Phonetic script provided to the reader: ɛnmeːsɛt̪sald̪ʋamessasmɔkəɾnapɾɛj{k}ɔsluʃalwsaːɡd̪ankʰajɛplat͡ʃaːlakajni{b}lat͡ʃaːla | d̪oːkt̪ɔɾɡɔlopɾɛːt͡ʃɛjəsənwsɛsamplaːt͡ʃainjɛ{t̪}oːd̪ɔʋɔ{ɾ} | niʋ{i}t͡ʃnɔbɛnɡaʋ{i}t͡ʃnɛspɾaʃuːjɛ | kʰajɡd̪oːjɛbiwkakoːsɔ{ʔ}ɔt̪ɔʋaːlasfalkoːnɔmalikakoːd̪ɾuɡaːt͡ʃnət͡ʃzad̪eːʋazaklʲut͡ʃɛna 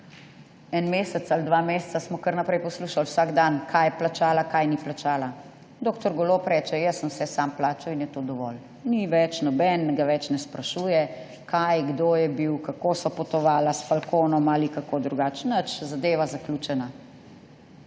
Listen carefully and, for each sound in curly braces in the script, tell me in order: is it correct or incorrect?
incorrect: p, incorrect: p, correct, incorrect: l, incorrect: ɛ, incorrect: ɛ, incorrect: p

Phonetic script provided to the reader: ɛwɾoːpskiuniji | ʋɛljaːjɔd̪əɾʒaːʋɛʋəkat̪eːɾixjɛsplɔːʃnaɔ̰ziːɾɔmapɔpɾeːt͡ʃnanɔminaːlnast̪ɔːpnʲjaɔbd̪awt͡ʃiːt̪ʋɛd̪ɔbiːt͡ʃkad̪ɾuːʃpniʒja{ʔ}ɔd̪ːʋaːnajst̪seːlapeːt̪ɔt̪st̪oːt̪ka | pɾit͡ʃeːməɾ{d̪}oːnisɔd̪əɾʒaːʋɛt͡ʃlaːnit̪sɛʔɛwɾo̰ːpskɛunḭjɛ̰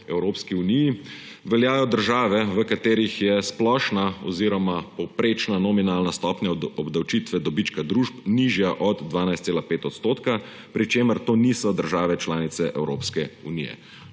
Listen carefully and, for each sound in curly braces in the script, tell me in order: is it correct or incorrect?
correct, incorrect: t̪

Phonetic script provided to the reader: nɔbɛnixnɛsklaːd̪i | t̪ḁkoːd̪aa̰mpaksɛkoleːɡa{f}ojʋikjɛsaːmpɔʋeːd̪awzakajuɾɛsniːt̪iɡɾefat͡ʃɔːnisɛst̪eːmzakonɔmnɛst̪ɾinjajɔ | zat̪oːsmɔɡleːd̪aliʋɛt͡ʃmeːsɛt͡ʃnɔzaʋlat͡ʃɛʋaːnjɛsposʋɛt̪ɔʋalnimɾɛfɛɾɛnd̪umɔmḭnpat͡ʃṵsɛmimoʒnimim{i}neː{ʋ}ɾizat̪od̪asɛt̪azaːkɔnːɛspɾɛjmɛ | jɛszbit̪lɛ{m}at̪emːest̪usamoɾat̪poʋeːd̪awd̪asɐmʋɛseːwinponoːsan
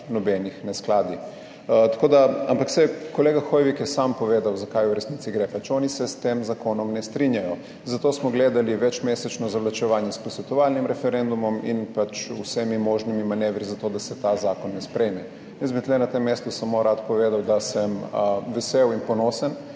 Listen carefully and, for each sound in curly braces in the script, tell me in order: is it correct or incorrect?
incorrect: x, incorrect: a, correct, incorrect: n

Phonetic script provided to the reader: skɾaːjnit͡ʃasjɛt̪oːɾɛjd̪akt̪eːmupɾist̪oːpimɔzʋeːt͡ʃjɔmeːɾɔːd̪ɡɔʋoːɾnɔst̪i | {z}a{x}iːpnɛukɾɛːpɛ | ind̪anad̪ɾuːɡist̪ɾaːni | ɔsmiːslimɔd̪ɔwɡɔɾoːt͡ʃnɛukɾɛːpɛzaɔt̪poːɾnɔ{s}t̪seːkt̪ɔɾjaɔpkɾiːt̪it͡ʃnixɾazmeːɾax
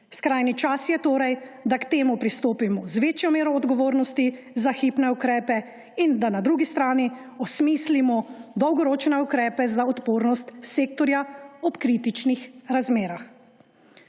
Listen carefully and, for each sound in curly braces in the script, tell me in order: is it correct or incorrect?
correct, correct, correct

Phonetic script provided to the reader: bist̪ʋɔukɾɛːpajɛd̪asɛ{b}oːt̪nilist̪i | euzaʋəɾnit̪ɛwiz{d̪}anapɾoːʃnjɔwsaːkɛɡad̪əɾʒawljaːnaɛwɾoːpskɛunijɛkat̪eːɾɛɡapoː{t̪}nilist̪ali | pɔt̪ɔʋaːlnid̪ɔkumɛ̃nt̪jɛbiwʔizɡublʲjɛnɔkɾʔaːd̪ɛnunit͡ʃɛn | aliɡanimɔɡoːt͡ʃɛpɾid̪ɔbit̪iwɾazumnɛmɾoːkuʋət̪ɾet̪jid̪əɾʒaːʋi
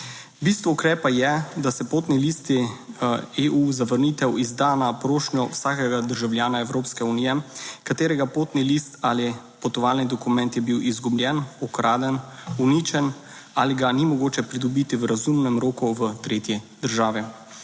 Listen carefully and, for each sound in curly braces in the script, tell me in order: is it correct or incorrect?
incorrect: p, correct, correct

